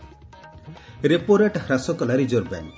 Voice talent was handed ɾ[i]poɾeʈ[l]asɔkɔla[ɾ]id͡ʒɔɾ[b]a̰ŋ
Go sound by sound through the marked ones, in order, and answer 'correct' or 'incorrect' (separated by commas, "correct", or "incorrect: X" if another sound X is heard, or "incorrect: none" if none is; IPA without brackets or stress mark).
incorrect: e, incorrect: ɾ, correct, correct